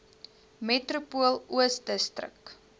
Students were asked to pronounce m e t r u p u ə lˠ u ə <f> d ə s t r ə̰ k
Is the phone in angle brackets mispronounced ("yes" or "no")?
yes